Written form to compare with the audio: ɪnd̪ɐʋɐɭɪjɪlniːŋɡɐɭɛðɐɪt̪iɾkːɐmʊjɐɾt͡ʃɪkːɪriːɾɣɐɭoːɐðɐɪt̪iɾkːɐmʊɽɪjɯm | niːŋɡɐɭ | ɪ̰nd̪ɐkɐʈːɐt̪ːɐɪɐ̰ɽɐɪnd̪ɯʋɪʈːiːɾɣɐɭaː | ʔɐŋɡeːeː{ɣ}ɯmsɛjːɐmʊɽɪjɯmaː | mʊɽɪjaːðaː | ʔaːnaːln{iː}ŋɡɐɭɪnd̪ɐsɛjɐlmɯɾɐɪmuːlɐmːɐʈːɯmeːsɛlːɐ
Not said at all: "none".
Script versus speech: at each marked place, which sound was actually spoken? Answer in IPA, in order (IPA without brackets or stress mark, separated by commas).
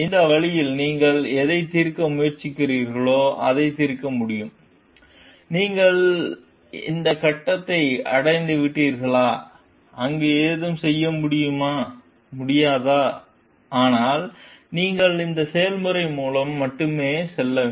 ð, iː